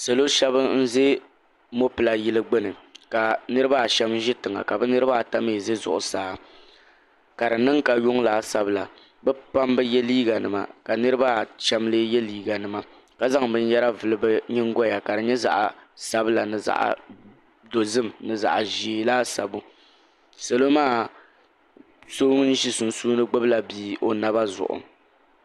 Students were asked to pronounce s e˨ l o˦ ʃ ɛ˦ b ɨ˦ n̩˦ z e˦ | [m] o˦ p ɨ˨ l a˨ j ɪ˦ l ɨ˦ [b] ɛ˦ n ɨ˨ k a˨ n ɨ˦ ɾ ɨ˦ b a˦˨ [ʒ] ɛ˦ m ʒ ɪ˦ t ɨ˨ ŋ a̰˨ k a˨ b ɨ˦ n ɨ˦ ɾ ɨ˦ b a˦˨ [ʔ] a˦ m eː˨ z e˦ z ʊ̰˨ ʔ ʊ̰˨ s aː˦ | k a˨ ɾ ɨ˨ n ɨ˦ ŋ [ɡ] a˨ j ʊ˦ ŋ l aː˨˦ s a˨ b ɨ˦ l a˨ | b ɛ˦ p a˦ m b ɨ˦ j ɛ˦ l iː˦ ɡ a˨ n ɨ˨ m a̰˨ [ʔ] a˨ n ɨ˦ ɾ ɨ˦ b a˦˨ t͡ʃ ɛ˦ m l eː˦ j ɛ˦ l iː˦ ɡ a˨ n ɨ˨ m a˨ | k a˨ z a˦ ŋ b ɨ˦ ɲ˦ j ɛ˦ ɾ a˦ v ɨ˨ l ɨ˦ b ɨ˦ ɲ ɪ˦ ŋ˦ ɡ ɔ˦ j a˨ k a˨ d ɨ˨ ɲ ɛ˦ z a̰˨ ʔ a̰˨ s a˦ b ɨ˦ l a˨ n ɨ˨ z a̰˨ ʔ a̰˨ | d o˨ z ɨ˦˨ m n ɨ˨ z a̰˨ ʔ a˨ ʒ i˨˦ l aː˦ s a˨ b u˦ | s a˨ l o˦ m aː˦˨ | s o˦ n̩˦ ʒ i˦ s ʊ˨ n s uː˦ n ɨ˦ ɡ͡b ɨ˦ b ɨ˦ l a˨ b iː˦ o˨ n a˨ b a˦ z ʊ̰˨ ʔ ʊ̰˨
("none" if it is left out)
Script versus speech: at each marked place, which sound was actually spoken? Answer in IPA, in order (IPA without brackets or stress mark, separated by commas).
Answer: m, ɡ͡b, ʃ, t, k, k